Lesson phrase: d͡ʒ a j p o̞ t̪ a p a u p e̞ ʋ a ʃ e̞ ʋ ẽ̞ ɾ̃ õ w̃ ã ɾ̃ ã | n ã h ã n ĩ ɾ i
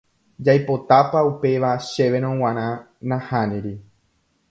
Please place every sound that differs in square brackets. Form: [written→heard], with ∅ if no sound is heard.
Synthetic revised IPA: d͡ʒ a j p o̞ t̪ a p a u p e̞ ʋ a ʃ e̞ ʋ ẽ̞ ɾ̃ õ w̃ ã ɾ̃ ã | n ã h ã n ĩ ɾ i